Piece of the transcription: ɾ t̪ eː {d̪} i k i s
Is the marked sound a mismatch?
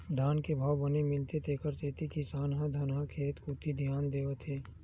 yes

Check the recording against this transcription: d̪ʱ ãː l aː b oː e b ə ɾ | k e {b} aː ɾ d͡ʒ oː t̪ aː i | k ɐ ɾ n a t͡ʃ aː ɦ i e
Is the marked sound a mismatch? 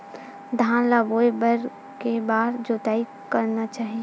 no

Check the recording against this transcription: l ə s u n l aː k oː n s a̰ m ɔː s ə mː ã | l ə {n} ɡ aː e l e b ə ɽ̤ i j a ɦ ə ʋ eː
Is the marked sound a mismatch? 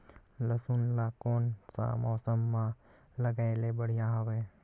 yes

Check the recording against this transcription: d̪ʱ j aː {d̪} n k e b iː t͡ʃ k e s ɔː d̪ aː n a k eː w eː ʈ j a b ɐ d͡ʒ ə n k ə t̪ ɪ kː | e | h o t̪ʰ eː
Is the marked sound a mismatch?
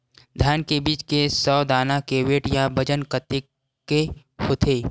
yes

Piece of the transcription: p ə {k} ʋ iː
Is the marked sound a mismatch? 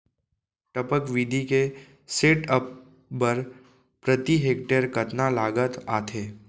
no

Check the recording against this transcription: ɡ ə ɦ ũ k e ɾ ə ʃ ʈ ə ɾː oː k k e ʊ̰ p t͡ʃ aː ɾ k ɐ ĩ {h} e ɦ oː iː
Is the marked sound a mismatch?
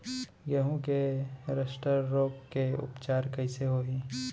yes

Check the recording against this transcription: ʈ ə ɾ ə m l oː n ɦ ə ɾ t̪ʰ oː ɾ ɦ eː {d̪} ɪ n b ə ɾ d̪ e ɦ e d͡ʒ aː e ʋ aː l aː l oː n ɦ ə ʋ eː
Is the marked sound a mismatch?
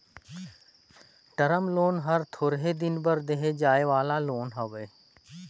no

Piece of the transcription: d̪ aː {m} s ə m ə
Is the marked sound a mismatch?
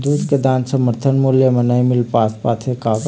yes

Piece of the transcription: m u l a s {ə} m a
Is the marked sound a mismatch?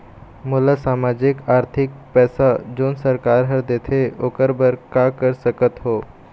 yes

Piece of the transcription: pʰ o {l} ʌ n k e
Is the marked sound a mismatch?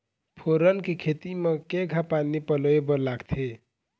yes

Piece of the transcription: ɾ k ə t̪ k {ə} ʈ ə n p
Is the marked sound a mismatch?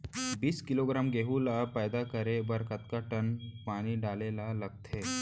yes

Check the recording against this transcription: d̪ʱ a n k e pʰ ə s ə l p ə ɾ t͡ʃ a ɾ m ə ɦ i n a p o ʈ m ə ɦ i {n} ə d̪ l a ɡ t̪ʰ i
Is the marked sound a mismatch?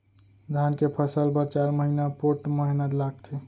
no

